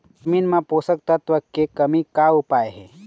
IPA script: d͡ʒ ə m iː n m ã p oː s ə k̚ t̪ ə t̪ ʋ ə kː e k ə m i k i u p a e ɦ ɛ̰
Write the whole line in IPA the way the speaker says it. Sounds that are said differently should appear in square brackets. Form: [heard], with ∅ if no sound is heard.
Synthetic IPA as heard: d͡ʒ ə m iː n m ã p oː s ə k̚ t̪ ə t̪ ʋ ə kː e k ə m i k [a] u p a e ɦ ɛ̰